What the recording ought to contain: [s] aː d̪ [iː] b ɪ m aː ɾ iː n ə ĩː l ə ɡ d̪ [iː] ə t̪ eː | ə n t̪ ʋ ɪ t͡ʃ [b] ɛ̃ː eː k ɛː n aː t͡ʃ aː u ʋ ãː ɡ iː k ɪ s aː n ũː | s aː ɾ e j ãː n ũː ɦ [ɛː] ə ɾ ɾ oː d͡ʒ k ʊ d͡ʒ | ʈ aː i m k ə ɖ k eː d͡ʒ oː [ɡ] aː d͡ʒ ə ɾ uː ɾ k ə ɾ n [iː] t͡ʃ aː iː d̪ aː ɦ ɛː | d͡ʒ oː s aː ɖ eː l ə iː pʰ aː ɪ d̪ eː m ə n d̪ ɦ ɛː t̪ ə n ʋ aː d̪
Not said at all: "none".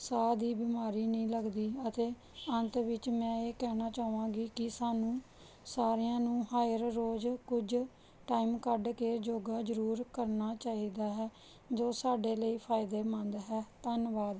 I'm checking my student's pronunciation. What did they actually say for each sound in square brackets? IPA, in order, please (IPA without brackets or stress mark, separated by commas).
s, iː, iː, m, aː, ɡ, aː